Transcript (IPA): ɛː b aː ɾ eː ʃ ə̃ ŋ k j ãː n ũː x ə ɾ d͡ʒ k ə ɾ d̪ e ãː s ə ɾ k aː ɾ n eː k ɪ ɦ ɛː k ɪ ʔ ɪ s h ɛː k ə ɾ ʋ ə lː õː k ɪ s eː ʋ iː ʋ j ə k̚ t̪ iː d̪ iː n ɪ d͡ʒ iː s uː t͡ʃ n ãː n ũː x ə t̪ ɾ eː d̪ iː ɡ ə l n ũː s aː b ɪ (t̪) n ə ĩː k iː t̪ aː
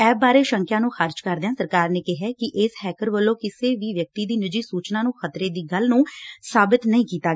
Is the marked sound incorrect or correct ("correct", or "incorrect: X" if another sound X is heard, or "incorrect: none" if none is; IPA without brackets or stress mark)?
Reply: correct